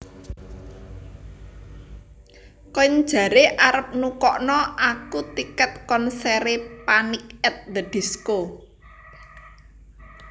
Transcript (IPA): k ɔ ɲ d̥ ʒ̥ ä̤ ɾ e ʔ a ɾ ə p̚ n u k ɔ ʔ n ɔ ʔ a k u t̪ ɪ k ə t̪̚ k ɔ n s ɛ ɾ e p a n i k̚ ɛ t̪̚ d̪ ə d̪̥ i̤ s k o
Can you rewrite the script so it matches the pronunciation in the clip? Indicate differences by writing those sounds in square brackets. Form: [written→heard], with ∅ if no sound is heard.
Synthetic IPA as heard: k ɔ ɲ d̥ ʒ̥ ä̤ ɾ e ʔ a ɾ ə p̚ n u k ɔ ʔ n ɔ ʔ a k u t̪ [ɪ→i] k ə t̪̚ k ɔ n s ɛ ɾ e p a n i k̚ ɛ t̪̚ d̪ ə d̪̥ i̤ s k o